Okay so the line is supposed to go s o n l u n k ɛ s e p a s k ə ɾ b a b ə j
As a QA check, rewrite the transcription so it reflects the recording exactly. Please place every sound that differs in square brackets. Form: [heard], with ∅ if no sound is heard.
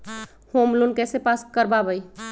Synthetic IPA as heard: [h] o [m] l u n k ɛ s e p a s k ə ɾ b a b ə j